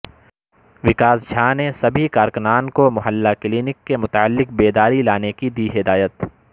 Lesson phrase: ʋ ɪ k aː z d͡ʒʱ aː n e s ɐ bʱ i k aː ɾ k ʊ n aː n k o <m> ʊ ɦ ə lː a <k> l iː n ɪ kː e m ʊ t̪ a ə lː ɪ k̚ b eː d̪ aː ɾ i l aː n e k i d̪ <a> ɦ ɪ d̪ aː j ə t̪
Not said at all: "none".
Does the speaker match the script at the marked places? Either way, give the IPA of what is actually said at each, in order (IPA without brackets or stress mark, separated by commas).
m, k, i